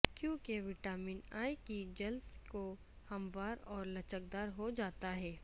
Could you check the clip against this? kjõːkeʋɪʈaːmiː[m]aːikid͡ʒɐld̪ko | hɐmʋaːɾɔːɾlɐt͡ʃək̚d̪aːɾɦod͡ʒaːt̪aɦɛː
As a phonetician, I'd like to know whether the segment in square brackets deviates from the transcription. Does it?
yes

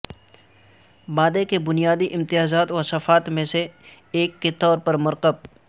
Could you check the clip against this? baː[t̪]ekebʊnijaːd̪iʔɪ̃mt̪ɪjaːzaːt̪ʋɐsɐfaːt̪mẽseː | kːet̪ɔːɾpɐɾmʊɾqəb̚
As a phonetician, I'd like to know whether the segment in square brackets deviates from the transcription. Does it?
yes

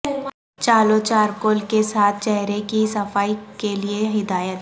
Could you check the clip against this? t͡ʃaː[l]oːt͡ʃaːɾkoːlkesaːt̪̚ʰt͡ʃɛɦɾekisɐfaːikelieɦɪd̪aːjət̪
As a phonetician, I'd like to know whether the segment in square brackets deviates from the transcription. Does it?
no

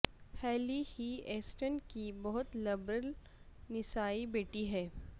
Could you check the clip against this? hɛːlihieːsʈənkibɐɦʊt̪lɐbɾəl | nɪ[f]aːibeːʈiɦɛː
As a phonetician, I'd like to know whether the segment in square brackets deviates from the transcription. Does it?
yes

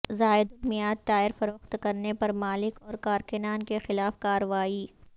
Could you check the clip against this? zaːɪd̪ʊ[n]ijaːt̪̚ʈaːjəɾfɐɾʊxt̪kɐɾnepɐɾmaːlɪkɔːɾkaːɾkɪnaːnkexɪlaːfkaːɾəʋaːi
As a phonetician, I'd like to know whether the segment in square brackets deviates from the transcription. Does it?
yes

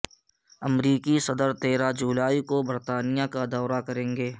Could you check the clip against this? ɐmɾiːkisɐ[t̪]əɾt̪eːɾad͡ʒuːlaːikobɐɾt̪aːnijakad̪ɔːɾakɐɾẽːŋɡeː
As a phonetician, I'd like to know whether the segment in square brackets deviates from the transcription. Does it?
yes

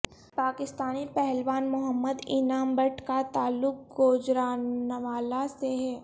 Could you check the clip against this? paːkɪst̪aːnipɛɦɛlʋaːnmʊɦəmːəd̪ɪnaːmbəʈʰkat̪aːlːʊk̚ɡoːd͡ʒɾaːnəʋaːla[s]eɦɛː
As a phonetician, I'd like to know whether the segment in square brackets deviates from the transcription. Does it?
no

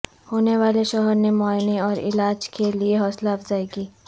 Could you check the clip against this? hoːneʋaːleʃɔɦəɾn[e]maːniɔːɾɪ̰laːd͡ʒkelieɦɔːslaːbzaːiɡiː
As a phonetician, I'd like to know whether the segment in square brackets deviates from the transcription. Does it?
no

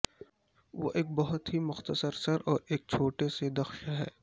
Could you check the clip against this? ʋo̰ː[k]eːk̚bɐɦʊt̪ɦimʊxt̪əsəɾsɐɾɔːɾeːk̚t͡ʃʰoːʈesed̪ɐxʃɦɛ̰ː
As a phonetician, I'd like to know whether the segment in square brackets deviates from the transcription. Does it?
yes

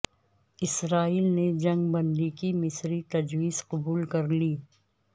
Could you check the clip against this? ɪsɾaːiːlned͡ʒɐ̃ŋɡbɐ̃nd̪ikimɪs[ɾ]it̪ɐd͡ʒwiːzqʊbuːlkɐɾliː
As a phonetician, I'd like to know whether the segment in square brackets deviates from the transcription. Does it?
no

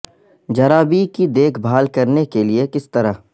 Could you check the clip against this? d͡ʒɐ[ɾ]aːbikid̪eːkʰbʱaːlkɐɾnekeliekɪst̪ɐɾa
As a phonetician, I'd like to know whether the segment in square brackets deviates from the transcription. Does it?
no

